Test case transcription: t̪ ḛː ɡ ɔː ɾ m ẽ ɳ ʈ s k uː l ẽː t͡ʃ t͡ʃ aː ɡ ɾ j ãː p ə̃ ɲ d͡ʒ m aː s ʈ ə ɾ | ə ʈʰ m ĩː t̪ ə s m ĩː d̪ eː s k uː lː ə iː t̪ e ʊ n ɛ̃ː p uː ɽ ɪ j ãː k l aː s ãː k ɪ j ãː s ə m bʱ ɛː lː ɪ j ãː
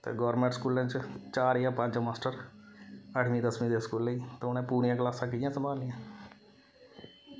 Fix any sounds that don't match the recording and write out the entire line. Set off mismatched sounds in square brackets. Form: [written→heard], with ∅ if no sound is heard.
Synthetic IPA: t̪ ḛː ɡ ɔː ɾ m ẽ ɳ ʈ s k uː l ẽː t͡ʃ t͡ʃ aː [ɡ→∅] ɾ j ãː p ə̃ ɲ d͡ʒ m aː s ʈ ə ɾ | ə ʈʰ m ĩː [t̪→d̪] ə s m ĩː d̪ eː s k uː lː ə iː t̪ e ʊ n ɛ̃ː p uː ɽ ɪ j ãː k l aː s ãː k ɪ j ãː s ə m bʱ [ɛː→aː] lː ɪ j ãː